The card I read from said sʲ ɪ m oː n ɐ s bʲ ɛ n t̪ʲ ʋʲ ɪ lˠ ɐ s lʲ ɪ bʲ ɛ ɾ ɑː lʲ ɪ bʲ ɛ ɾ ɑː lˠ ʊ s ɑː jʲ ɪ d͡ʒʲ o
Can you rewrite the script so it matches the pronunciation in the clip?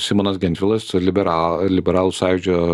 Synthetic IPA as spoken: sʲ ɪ m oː n ɐ s ɡʲ ɛ n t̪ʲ ʋʲ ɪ lˠ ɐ s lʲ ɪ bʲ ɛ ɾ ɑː lʲ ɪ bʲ ɛ ɾ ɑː lˠ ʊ s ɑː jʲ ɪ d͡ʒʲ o